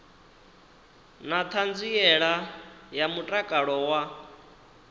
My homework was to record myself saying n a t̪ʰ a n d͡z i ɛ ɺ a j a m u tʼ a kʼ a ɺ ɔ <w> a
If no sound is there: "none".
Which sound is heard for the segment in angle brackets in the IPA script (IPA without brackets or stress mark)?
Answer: w